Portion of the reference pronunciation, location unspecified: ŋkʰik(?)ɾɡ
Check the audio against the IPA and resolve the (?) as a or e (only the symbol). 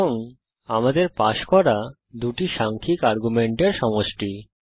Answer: a